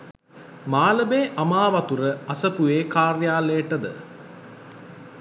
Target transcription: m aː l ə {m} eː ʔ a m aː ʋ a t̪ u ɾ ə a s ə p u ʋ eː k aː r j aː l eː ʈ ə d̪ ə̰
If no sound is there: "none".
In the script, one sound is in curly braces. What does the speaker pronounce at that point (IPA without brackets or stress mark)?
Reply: b